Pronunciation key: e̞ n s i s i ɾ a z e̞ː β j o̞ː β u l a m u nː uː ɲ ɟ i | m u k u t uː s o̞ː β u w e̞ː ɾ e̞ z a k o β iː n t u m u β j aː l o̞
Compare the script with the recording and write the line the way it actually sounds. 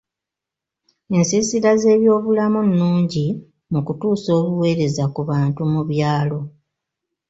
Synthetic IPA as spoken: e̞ n s i s i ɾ a z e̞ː β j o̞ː β u l a m u nː uː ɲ ɟ i | m u k u t uː s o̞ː β u w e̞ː ɾ e̞ z a k u β aː n t u m u β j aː l o̞

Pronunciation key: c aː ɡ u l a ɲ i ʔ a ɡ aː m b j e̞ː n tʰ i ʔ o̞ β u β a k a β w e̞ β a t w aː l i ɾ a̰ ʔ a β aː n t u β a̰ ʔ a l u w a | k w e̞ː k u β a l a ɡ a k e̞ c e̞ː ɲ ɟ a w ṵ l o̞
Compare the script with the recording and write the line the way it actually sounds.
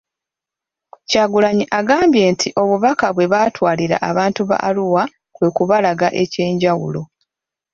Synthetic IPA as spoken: c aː ɡ u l a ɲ i ʔ a ɡ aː m b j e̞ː n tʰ i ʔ o̞ β u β a k a β w e̞ β a t w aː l i ɾ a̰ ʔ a β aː n t u β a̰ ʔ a l u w a | k w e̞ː k u β a l a ɡ a ʔ e̞ c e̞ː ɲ ɟ a w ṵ l o̞

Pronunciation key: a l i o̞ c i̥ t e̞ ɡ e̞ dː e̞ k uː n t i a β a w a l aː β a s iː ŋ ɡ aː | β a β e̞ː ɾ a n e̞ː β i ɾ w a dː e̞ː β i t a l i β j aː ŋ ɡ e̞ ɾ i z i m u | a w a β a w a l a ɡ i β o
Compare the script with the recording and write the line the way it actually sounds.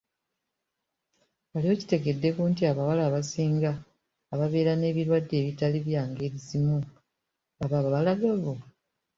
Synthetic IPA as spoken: a l i o̞ c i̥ t e̞ ɡ e̞ dː e̞ k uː n t i a β a w a l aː β a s iː ŋ ɡ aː | β a β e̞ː ɾ a n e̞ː β i ɾ w a dː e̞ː β i t a l i β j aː ŋ ɡ e̞ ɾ i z i m u | a β a β a β a l a ɡ a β o

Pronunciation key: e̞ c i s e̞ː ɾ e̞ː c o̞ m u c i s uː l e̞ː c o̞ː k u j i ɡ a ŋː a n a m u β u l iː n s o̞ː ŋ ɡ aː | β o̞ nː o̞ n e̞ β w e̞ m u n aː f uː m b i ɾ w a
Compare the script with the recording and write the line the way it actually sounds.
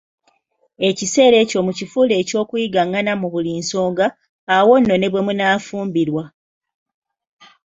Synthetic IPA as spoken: e̞ c i s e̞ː ɾ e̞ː c o̞ m u c i f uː l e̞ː c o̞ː k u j i ɡ a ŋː a n a m u β u l iː n s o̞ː ŋ ɡ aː | w o̞ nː o̞ n e̞ β w e̞ m u n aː f uː m b i ɾ w a

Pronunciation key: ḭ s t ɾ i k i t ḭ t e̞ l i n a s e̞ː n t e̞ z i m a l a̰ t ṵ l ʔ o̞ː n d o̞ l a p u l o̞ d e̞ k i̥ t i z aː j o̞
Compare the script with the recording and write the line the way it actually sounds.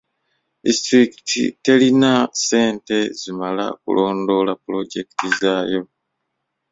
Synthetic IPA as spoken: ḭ s t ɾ i k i t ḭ t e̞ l i n a s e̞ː n t e̞ z i m a l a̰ k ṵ l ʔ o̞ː n d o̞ l a p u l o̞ ɟ e̞ k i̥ t i z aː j o̞

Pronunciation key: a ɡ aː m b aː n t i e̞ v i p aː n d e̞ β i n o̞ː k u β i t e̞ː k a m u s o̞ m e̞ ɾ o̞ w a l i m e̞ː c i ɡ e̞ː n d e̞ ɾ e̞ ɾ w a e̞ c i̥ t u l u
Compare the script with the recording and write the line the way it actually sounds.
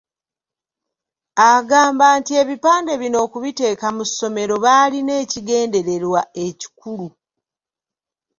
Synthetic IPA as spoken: a ɡ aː m b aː n t i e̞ β i p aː n d e̞ β i n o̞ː k u β i t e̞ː k a m u s o̞ m e̞ ɾ o̞ β a l i n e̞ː c i ɡ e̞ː n d e̞ ɾ e̞ ɾ w a e̞ c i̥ k u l u

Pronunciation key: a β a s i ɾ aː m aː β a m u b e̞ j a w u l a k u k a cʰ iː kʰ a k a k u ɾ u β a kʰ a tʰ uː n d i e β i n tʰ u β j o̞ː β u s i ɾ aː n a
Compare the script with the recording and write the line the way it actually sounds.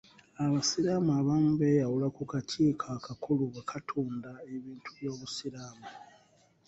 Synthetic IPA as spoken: a β a s i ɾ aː m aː β a m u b e̞ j a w u l a k u k a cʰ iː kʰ a k a k u l u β a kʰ a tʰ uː n d a e β iː n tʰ u β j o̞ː β u s i ɾ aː m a

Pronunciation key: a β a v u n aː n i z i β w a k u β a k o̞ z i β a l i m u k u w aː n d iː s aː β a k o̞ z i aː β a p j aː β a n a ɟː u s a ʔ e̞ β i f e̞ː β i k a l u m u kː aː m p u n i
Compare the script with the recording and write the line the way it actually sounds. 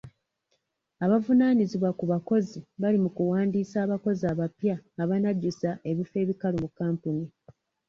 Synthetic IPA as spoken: a β a v u n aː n i z i β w a k u β a k o̞ z i β a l i m u k u w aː n d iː s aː β a k o̞ z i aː β a p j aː β a n a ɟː u s a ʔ e̞ β i f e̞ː β i k a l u m u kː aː m p u n i

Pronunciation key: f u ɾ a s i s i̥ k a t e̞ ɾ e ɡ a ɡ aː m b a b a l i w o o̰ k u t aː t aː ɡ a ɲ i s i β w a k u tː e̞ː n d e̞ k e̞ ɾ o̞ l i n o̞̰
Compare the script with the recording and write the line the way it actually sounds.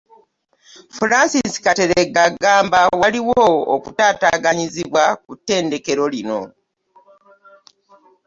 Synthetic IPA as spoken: f u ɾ a s i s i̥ k a t e̞ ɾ e ɡ a ɡ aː m b a w a l i w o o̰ k u t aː t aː ɡ a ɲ i z i β w a k u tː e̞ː n d e̞ k e̞ ɾ o̞ l i n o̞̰

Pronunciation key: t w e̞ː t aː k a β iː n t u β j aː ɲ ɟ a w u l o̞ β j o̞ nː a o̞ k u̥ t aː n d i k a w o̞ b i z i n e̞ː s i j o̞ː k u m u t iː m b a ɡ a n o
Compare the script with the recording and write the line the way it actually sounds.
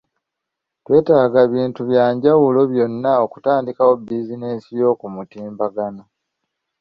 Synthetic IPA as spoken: t w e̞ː t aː ɡ a β iː n t u β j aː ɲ ɟ a w u l o̞ β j o̞ nː a o̞ k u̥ t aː n d i k a w o̞ b i z i n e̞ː s i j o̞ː k u m u t iː m b a ɡ a n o

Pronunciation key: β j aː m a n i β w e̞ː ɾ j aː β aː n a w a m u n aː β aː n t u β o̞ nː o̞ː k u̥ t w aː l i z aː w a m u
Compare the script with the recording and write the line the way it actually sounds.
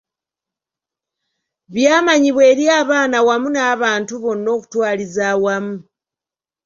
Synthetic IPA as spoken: β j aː m a ɲ i β w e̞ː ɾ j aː β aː n a w a m u n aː β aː n t u β o̞ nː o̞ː k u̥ t w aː l i z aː w a m u

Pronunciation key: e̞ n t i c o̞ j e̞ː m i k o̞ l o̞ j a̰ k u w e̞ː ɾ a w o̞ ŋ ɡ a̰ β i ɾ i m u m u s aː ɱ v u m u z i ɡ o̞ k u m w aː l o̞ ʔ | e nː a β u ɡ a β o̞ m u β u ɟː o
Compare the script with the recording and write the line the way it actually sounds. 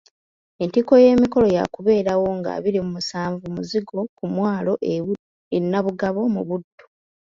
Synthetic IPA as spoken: e̞ n t i k o̞ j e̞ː m i k o̞ l o̞ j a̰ k u β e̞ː ɾ a w o̞ ŋ ɡ a̰ β i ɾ i m u m u s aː ɱ v u m u z i ɡ o̞ k u m w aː l o̞ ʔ | e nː a β u ɡ a β o̞ m u β u dː o

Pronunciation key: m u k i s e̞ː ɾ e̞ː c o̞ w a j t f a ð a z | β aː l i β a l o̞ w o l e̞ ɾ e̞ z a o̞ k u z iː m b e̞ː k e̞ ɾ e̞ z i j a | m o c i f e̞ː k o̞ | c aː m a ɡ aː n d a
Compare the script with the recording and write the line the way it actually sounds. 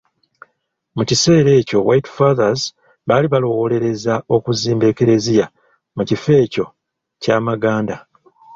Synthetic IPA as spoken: m u c i s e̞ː ɾ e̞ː c o̞ w a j t f a ð a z | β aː l i β a l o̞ w o l e̞ ɾ e̞ z a o̞ k u z iː m b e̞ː k e̞ ɾ e̞ z i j a | m u c i f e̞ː c o̞ | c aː m a ɡ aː n d a

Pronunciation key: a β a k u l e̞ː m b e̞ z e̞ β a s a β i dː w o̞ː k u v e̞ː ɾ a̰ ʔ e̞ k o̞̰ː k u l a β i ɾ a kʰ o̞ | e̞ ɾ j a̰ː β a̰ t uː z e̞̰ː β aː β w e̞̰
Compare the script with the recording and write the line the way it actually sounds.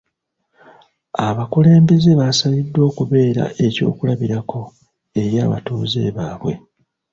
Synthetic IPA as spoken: a β a k u l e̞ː m b e̞ z e̞ β a s a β i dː w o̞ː k u β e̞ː ɾ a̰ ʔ e̞ c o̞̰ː k u l a β i ɾ a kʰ o̞ | e̞ ɾ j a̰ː β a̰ t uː z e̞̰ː β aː β w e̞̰

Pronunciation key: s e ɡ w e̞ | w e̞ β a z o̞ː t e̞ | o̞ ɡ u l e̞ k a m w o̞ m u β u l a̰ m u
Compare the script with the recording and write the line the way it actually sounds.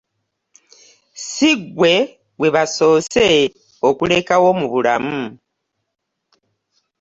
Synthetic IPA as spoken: s i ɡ w e̞ | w e̞ β a s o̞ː s e̞ | o̞ k u l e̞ k a w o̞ m u β u l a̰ m u

